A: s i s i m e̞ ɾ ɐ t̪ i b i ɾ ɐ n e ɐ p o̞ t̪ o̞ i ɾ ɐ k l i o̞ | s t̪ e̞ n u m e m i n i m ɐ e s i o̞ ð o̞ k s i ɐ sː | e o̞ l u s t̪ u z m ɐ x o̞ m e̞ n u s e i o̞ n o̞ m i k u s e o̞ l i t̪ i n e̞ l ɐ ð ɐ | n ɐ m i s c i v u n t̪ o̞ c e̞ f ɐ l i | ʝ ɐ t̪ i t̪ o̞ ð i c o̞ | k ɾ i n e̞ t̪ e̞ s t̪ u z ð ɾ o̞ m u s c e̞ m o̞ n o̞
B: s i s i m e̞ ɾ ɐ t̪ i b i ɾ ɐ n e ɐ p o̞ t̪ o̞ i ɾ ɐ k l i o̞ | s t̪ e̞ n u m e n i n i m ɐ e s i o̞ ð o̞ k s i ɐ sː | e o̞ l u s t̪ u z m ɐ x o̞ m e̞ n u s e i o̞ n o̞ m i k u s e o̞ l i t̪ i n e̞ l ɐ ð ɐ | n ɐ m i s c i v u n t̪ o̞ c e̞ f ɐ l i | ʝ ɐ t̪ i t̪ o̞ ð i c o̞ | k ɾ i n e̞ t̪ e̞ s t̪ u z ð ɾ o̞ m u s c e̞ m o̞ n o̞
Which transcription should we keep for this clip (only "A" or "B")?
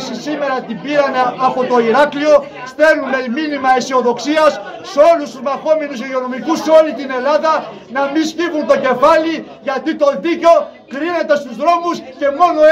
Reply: A